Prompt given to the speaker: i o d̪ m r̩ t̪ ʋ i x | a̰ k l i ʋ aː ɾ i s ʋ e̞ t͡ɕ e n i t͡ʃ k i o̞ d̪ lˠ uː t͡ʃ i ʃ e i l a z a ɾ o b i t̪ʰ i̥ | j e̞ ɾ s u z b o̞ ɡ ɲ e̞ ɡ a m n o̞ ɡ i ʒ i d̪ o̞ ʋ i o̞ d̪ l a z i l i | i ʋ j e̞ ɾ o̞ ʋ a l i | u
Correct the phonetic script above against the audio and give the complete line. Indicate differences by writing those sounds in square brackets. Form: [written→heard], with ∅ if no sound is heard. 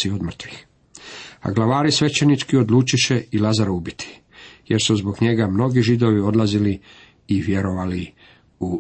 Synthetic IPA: i o d̪ m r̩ t̪ ʋ i x | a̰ [k→ɡ] l [i→a] ʋ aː ɾ i s ʋ e̞ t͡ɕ e n i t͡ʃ k i o̞ d̪ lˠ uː t͡ʃ i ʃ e i l a z a ɾ [o→u] b i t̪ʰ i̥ | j e̞ ɾ s u z b o̞ ɡ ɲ e̞ ɡ a m n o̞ ɡ i ʒ i d̪ o̞ ʋ i o̞ d̪ l a z i l i | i ʋ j e̞ ɾ o̞ ʋ a l i | u